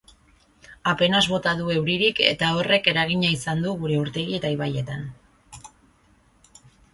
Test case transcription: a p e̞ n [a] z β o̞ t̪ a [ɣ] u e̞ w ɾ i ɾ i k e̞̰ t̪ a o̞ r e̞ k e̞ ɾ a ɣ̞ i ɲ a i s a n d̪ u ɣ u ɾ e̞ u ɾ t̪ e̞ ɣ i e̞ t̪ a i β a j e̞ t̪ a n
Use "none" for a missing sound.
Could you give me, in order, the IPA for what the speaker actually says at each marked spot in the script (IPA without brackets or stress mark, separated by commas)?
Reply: a, ð